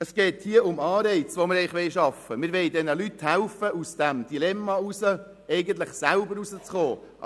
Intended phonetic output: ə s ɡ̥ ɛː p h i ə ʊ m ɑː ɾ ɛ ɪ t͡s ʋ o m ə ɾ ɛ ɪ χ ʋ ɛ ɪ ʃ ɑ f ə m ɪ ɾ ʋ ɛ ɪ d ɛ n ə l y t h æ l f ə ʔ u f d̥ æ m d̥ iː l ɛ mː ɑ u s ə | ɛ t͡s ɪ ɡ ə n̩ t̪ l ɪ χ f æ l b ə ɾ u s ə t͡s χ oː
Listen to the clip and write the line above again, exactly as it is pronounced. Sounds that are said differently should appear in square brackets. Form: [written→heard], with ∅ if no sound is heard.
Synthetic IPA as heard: ə s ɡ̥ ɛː [p→t] h i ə ʊ m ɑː ɾ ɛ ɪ t͡s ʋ o m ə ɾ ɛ ɪ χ ʋ ɛ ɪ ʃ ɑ f ə m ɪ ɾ ʋ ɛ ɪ d ɛ n ə l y t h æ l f ə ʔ u [f→s] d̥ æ m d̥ [iː→i] l ɛ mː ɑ u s ə | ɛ [t͡s→∅] ɪ ɡ ə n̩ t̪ l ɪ χ [f→s] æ l b ə ɾ u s ə t͡s χ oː

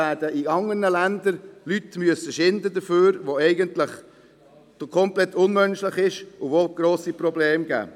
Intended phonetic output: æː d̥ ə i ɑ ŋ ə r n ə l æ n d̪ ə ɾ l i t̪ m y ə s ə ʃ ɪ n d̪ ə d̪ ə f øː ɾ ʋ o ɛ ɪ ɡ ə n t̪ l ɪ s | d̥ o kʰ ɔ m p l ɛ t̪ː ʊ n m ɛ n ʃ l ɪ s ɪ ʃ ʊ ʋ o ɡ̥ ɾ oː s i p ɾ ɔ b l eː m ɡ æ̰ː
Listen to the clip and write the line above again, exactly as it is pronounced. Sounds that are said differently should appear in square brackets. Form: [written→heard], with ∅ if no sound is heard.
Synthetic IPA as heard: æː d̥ ə i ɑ ŋ ə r n ə l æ n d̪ ə ɾ l [i→y] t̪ m y ə s ə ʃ ɪ n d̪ ə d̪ ə f øː ɾ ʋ o ɛ ɪ ɡ ə n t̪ l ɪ [s→χ] | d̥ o kʰ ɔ m p l ɛ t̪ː ʊ n m [ɛ→œ] n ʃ l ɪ [s→χ] ɪ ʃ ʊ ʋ o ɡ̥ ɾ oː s i p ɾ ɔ b l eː m ɡ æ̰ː

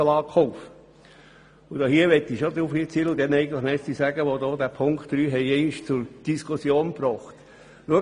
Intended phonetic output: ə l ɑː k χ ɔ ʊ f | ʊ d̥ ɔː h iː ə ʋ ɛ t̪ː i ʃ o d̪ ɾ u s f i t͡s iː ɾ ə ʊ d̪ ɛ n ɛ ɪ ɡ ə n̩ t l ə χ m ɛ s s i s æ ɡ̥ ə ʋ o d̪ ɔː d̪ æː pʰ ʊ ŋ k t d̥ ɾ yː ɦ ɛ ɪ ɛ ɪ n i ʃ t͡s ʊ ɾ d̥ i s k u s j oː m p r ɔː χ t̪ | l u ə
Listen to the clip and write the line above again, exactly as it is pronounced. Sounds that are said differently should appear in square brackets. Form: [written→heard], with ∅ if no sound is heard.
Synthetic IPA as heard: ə l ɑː k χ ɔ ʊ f | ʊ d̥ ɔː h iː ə ʋ ɛ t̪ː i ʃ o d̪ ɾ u [s→∅] f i t͡s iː [ɾ→l] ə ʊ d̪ ɛ n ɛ ɪ ɡ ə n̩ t l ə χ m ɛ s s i s æ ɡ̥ ə ʋ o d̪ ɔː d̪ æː pʰ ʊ ŋ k t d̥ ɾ yː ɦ ɛ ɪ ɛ ɪ n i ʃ t͡s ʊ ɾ d̥ i s k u s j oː [m→n] p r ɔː χ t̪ | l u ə

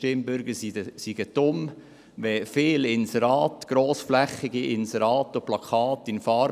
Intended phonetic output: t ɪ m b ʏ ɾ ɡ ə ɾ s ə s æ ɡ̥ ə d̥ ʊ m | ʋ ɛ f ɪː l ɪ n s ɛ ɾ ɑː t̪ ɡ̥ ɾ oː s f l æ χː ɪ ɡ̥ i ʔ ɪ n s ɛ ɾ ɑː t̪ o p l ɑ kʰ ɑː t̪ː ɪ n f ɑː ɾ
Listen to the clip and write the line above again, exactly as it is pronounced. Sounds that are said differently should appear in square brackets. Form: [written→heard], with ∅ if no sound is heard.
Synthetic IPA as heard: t ɪ m b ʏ ɾ ɡ ə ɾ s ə s [æ→i] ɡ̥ ə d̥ ʊ m | ʋ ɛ f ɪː l ɪ n s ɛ ɾ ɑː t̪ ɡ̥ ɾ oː s f l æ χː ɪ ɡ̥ i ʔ ɪ n s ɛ ɾ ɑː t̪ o p l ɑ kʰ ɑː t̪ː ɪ n f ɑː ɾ

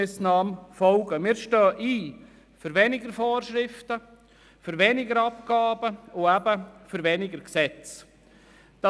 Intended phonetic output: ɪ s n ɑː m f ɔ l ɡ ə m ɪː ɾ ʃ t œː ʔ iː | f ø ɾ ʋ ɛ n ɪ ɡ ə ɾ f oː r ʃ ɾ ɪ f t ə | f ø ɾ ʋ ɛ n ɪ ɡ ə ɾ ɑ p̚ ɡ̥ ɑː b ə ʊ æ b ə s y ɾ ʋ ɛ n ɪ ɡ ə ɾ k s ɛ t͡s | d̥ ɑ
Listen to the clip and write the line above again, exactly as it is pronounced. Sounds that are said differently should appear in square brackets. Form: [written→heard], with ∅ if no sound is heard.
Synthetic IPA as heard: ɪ s n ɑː m f ɔ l ɡ ə m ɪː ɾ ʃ t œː ʔ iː | f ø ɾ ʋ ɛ n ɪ ɡ ə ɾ f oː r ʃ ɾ ɪ f t ə | f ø ɾ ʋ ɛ n ɪ ɡ ə ɾ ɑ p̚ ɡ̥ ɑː b ə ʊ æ b ə [s→f] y ɾ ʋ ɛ n ɪ ɡ ə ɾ k s ɛ t͡s | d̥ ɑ

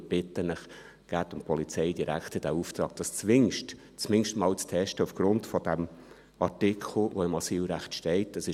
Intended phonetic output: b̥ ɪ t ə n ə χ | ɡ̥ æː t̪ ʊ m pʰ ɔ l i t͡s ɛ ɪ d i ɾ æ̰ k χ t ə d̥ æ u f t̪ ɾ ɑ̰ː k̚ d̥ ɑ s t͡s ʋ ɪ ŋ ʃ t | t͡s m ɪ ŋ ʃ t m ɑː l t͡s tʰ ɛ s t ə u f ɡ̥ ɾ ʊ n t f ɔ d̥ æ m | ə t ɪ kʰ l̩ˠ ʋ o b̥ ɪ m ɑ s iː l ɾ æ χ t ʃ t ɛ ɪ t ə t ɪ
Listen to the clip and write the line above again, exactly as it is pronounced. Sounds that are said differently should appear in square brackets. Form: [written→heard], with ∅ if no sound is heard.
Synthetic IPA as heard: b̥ ɪ t ə n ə χ | ɡ̥ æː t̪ ʊ m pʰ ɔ l i t͡s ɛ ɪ d i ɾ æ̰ k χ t ə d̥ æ u f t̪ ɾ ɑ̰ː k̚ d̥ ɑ s t͡s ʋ ɪ ŋ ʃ t | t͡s m ɪ ŋ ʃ t m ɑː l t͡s tʰ ɛ [s→ʃ] t ə u f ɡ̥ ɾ ʊ n t f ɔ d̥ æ m | [ə→ɑ] t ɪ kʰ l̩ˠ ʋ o [b̥→∅] ɪ m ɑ s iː l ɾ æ χ t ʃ t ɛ ɪ t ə [t→s] ɪ

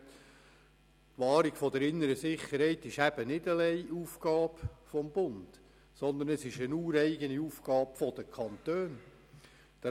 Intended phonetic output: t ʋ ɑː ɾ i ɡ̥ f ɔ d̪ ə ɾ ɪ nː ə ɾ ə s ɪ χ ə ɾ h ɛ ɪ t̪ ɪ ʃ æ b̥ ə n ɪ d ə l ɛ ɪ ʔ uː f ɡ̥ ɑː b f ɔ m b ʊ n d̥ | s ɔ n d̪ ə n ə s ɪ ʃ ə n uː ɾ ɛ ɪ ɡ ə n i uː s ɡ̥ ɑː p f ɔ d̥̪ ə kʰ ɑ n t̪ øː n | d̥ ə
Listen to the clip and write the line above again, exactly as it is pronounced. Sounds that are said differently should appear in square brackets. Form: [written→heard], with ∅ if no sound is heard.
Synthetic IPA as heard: t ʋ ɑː ɾ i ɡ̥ f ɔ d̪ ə ɾ ɪ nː ə ɾ ə s ɪ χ ə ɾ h ɛ ɪ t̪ ɪ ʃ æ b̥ ə n ɪ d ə l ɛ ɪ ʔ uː f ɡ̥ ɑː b f ɔ m b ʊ n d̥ | s ɔ n d̪ ə n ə s ɪ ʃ ə n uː ɾ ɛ ɪ ɡ ə n i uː [s→f] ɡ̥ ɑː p f ɔ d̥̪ ə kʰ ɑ n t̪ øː n | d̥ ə

